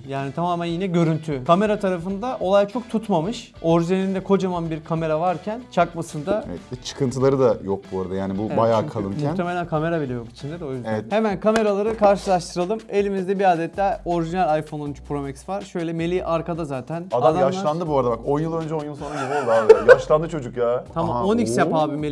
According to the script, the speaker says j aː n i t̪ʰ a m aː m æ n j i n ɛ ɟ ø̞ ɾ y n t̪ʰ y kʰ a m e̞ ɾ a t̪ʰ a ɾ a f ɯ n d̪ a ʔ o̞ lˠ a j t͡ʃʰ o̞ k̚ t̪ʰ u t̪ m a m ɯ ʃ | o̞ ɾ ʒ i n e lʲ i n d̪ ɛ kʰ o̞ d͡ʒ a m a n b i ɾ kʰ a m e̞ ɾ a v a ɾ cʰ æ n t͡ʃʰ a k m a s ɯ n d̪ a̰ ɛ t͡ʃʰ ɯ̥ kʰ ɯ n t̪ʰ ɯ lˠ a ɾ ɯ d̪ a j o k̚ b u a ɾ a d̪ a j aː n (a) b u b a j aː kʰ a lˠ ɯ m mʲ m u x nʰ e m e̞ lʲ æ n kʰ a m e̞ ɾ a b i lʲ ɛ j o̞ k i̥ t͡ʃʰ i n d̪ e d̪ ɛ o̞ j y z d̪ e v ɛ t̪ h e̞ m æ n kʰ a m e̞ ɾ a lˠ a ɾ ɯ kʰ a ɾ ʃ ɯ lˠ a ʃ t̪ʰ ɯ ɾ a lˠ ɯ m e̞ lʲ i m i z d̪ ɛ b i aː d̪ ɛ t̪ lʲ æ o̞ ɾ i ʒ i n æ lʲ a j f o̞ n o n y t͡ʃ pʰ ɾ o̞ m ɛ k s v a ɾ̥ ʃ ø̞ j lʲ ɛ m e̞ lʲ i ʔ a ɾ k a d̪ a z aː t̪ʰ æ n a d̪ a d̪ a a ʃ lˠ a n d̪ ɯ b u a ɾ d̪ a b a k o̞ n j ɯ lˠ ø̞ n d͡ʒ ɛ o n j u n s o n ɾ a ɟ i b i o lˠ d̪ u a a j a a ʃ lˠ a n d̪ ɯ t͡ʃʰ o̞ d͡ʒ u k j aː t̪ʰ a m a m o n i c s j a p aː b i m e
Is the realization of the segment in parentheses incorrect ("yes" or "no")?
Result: yes